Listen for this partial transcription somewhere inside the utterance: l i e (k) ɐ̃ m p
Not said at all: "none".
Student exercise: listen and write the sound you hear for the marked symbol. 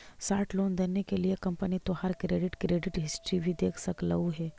k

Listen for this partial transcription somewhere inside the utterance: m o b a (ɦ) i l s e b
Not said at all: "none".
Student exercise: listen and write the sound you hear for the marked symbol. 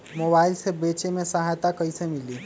none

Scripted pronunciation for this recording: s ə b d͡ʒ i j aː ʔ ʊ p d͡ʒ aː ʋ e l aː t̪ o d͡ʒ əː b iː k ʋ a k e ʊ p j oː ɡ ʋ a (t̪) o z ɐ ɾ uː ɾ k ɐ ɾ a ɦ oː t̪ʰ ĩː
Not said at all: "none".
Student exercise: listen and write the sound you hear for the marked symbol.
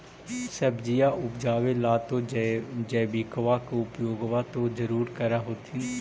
t̪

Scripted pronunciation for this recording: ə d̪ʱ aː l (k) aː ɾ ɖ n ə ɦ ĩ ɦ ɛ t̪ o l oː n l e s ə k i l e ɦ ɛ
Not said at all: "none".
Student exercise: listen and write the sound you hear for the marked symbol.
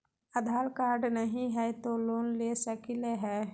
k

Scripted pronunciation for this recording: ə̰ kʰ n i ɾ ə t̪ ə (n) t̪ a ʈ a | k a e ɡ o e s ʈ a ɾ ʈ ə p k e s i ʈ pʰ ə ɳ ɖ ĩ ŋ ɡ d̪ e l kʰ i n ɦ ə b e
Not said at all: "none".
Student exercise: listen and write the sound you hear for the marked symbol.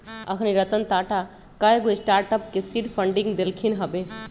n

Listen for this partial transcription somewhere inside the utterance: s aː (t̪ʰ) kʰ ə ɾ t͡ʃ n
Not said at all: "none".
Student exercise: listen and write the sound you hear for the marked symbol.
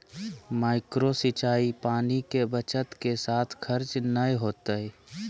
t̪ʰ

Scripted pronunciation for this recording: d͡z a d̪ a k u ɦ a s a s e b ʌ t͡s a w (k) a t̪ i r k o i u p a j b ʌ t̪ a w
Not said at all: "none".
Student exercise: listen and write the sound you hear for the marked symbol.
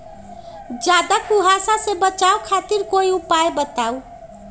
kʰ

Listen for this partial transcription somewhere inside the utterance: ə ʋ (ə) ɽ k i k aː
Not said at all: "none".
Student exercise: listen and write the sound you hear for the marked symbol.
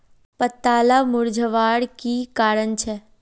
a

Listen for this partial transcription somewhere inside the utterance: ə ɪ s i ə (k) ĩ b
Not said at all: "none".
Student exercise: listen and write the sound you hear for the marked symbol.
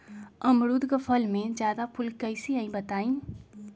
none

